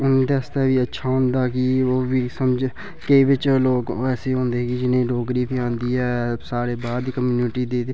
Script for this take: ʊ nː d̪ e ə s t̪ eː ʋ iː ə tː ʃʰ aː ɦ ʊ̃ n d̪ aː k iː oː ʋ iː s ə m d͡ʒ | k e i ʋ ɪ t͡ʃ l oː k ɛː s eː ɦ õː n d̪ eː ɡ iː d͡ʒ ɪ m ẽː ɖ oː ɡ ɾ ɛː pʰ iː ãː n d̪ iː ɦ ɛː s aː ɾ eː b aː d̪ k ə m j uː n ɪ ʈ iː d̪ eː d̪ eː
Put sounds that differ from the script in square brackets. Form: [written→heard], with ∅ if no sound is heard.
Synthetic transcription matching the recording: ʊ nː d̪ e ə s t̪ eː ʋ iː ə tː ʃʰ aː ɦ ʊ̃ n d̪ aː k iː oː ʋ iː s ə m d͡ʒ | k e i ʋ ɪ t͡ʃ l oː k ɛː s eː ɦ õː n d̪ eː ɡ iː d͡ʒ ɪ [m→n] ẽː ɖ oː ɡ ɾ [ɛː→iː] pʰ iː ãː n d̪ iː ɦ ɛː s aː ɾ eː b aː d̪ k ə m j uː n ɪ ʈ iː d̪ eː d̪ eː